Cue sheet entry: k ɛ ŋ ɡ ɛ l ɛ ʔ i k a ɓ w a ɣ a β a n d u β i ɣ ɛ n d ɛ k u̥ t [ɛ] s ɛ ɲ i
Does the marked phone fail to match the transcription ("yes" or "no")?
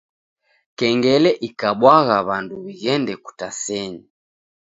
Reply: yes